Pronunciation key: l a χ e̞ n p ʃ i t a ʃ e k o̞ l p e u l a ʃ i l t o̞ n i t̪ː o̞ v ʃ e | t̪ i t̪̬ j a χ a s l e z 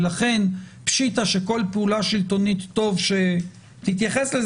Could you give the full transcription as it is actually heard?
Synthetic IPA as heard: l a χ e̞ n p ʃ i t a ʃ e k o̞ l p e u l a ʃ i l t o̞ n i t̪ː o̞ v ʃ e | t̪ i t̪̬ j a χ e s l e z